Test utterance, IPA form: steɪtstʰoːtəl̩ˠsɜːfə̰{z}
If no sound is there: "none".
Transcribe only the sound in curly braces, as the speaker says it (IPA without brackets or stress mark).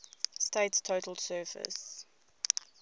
s